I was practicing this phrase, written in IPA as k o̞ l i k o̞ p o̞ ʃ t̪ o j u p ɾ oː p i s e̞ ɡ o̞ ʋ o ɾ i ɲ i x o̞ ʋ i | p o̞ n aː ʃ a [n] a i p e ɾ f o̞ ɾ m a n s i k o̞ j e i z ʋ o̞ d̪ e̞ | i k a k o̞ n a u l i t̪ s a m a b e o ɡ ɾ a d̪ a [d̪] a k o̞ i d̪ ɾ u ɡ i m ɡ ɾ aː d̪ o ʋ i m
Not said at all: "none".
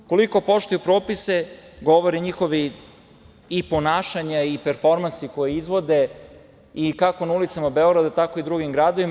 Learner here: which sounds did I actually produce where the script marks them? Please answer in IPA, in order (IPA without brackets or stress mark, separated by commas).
ɲ, t̪